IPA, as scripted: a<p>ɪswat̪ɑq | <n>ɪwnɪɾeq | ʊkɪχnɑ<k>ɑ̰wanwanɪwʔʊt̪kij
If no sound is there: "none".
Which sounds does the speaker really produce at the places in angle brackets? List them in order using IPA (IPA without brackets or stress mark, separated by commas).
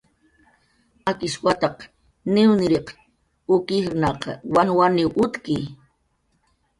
k, n, q